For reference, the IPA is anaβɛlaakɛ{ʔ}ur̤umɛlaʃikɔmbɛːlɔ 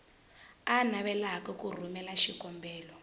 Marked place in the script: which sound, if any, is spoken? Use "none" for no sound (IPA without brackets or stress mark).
k